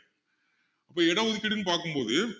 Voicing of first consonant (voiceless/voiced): voiceless